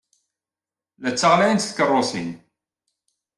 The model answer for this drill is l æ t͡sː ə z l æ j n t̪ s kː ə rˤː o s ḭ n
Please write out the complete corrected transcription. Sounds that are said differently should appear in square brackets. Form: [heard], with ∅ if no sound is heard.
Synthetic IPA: l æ t͡sː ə [ʁ] l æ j n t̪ [θ] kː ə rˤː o s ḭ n